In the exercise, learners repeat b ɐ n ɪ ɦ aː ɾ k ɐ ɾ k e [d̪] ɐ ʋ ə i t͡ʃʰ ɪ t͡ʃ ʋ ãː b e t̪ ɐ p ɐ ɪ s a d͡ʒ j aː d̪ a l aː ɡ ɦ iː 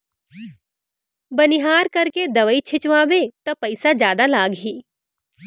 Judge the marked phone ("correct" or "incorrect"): correct